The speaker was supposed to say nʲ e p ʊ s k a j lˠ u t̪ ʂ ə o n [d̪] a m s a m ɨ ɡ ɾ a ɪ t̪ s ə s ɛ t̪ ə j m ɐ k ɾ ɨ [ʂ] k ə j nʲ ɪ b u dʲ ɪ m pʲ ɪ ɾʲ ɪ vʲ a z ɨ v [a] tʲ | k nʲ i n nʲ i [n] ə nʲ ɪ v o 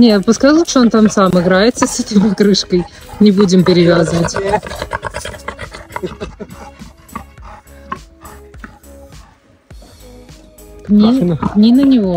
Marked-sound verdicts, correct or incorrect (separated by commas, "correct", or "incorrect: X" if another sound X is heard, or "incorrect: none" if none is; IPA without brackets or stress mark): incorrect: t̪, correct, incorrect: ə, correct